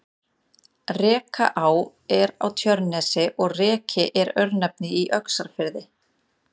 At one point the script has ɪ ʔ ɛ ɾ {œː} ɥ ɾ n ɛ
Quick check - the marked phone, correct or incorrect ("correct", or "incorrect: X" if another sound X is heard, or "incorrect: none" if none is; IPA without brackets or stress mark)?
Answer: incorrect: œ